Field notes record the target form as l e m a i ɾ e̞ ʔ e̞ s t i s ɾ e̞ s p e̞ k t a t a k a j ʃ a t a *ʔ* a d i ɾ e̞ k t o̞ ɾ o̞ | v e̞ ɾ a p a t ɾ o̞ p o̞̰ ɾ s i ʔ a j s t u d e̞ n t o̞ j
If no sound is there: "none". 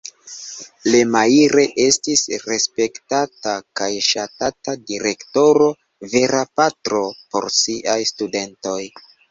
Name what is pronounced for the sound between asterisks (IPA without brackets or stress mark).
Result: t